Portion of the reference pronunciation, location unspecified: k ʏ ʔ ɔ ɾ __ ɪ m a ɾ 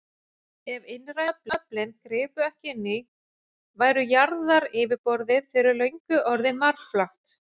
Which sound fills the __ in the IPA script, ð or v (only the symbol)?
ð